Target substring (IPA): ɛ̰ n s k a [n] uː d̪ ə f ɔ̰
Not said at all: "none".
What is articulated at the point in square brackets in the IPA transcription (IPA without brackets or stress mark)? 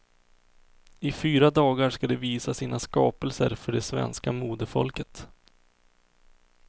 m